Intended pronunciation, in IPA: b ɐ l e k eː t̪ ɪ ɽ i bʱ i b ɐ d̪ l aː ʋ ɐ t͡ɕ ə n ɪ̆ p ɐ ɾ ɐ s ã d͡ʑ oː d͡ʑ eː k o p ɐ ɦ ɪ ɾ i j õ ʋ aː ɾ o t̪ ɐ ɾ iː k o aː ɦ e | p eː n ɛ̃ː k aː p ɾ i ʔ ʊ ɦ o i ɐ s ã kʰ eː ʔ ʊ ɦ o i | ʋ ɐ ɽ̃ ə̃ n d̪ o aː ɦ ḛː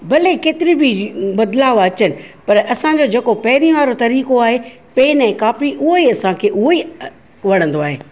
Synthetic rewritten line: b ɐ l e k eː t̪ ɪ ɾ i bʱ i b ɐ d̪ l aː ʋ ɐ t͡ɕ ə n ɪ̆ p ɐ ɾ ɐ s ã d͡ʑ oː d͡ʑ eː k o p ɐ ɦ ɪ ɾ i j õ ʋ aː ɾ o t̪ ɐ ɾ iː k o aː ɦ e | p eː n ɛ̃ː k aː p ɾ i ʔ ʊ ɦ o i ɐ s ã kʰ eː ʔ ʊ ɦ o i | ʋ ɐ ɽ̃ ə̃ n d̪ o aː ɦ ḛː

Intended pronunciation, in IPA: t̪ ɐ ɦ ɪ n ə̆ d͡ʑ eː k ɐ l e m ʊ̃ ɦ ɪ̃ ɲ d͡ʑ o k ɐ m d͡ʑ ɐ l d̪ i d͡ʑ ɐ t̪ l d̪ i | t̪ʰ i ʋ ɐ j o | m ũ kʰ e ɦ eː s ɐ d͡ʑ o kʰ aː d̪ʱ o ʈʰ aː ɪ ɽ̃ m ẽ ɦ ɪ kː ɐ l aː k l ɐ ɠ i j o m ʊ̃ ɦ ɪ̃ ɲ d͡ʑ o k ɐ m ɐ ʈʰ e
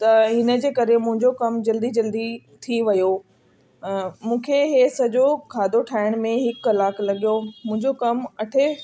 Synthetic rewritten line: t̪ ɐ ɦ ɪ n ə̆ d͡ʑ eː k ɐ ɾ e m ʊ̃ ɦ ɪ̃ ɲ d͡ʑ o k ɐ m d͡ʑ ɐ l d̪ i d͡ʑ ɐ l d̪ i | t̪ʰ i ʋ ɐ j o | m ũː kʰ e ɦ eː s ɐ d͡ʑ o kʰ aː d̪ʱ o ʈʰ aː ɪ ɽ̃ m ẽ ɦ ɪ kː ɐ l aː k l ɐ ɠ i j o m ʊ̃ ɦ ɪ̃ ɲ d͡ʑ o k ɐ m ɐ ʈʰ e

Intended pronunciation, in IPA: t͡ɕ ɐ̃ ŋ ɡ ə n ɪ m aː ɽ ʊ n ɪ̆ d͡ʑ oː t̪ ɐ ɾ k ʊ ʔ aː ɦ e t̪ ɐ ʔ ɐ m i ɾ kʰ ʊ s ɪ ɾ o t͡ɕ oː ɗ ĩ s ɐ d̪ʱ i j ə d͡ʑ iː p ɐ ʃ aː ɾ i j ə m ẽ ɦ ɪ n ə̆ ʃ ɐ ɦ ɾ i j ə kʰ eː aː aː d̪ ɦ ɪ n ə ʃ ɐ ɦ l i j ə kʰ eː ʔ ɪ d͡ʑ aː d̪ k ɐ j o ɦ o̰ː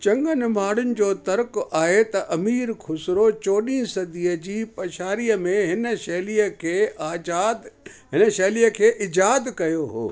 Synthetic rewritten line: t͡ɕ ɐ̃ ŋ ɡ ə n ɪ m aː ɽ ʊ n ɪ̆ d͡ʑ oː t̪ ɐ ɾ k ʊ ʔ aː ɦ e t̪ ɐ ʔ ɐ m iː ɾ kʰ ʊ s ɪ ɾ o t͡ɕ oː ɗ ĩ s ɐ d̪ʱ i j ə d͡ʑ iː p ɐ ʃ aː ɾ i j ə m ẽ ɦ ɪ n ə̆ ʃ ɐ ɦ l i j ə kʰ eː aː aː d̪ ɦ ɪ n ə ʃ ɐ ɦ l i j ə kʰ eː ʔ ɪ d͡ʑ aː d̪ k ɐ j o ɦ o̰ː

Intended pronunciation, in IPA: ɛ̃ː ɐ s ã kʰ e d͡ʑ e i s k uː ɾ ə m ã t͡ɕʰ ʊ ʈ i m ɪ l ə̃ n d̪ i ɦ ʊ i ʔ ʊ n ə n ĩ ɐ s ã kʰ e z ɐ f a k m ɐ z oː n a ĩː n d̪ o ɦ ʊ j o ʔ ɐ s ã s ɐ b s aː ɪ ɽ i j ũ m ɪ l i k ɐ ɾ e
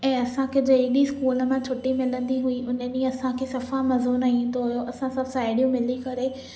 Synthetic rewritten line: ɛ̃ː ɐ s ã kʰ e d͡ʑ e i s k uː l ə m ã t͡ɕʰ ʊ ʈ i m ɪ l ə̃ n d̪ i ɦ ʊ i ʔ ʊ n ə n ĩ ɐ s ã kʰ e s ɐ f a m ɐ z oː n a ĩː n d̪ o ɦ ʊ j o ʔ ɐ s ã s ɐ b s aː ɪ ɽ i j ũ m ɪ l i k ɐ ɾ e

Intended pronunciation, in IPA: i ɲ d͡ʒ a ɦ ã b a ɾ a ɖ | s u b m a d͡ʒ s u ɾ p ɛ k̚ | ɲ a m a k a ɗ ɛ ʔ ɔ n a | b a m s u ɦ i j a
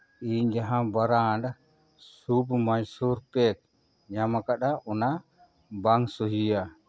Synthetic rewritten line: i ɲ d͡ʒ a ɦ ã b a ɾ a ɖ | s u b m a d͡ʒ s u ɾ p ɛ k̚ | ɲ a m a k a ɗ a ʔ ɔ n a | b a ŋ s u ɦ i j a

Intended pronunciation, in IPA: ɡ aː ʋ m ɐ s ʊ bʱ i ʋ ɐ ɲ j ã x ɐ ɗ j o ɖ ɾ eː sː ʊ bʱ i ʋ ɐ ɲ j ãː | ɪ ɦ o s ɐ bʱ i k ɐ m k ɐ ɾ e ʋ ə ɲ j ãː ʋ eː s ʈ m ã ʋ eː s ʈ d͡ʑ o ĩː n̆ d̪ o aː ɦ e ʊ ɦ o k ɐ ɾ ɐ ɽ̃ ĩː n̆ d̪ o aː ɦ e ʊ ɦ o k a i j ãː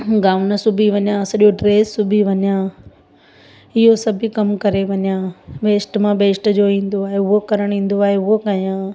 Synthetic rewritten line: ɡ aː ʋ n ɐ s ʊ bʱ i ʋ ɐ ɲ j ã s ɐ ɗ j o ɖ ɾ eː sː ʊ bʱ i ʋ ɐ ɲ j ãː | ɪ ɦ o s ɐ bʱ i k ɐ m k ɐ ɾ e ʋ ɐ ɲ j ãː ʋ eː s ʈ m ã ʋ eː s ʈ d͡ʑ o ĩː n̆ d̪ o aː ɦ e ʊ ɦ o k ɐ ɾ ə ɽ̃ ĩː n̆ d̪ o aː ɦ e ʊ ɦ o k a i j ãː

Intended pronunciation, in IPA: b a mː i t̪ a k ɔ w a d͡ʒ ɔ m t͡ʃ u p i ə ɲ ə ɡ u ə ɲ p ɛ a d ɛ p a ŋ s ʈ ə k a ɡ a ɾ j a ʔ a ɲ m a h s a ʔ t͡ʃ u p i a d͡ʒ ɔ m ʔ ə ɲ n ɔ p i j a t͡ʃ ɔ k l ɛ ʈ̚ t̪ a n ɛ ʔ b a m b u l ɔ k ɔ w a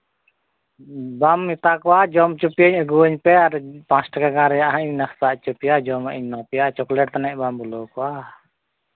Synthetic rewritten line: b a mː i t̪ a k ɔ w a d͡ʒ ɔ m t͡ʃ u p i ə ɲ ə ɡ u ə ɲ p ɛ a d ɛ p a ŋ s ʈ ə k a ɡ a ɾ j a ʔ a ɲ n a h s a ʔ t͡ʃ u p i a d͡ʒ ɔ m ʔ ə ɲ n ɔ p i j a t͡ʃ ɔ k l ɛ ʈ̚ t̪ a n ɛ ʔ b a m b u l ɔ k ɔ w a

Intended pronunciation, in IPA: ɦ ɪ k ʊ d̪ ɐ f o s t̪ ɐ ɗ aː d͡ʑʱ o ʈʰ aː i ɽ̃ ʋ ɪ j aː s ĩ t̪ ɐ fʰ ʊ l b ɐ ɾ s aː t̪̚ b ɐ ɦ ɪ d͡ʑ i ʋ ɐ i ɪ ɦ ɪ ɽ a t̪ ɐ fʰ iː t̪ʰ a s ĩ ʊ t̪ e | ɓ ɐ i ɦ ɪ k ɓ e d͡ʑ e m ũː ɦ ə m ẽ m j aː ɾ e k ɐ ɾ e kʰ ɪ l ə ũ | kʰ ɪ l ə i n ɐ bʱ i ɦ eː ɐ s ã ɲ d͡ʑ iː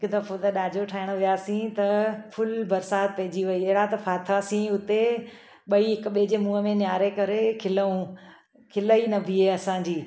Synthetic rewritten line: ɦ ɪ k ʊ d̪ ɐ f o t̪ ɐ ɗ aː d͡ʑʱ o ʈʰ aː ɪ ɽ̃ ʋ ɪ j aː s ĩ t̪ ɐ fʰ ʊ l b ɐ ɾ s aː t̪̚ p ɐ ɦ ɪ d͡ʑ i ʋ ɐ i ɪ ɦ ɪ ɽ a t̪ ɐ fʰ aː t̪ʰ a s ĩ ʊ t̪ e | ɓ ɐ i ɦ ɪ k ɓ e d͡ʑ e m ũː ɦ ə m ẽ n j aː ɾ e k ɐ ɾ e kʰ ɪ l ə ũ | kʰ ɪ l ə i n ɐ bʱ i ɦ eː ɐ s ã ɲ d͡ʑ iː

